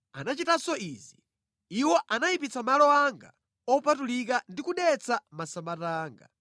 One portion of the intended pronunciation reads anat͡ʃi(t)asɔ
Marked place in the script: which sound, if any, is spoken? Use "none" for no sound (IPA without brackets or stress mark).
t